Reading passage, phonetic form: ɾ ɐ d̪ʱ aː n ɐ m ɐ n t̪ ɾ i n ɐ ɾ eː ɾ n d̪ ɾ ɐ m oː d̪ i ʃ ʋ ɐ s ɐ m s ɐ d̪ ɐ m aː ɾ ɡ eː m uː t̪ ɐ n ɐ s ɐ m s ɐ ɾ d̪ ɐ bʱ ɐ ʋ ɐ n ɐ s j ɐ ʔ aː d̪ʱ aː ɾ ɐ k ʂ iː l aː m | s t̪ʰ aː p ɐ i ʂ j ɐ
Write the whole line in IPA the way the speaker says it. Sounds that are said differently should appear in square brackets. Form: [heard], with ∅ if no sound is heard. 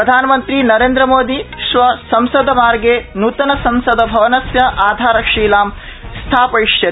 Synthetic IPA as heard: ɾ ɐ d̪ʱ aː n ɐ m ɐ n t̪ ɾ i n ɐ ɾ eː [∅] n d̪ ɾ ɐ m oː d̪ i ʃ ʋ ɐ s ɐ m s ɐ d̪ ɐ m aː ɾ ɡ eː [n] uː t̪ ɐ n ɐ s ɐ m s ɐ [∅] d̪ ɐ bʱ ɐ ʋ ɐ n ɐ s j ɐ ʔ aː d̪ʱ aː ɾ ɐ k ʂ iː l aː m | s t̪ʰ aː p ɐ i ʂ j ɐ